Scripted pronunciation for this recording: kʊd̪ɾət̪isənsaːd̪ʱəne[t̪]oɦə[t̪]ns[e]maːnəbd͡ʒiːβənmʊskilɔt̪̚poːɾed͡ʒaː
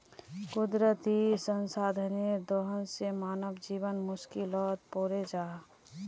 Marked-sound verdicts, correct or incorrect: incorrect: d̪, incorrect: none, correct

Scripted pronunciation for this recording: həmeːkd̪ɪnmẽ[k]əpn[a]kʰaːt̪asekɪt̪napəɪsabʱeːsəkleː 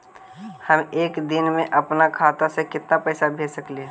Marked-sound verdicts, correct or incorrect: incorrect: ʔ, correct

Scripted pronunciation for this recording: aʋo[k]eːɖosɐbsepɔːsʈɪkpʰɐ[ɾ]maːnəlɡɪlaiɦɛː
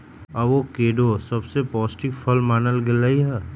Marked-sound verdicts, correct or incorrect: correct, incorrect: l

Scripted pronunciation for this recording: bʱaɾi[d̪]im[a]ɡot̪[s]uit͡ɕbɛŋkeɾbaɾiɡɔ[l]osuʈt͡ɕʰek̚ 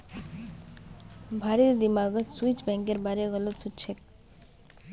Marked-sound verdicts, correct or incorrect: correct, correct, correct, correct

